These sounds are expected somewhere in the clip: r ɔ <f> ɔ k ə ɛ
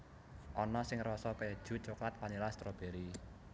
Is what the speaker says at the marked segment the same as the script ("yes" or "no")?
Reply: no